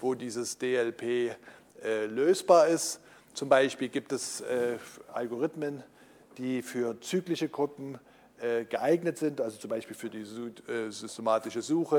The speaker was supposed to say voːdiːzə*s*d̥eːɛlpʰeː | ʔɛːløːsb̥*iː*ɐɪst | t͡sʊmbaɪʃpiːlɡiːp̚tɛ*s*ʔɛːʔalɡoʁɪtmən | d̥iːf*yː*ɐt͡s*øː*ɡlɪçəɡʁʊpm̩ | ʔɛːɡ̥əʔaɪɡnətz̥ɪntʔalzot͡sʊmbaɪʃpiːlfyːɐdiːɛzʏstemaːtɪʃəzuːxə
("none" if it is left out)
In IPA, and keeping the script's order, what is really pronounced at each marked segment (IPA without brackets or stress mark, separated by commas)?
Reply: s, aː, s, yː, yː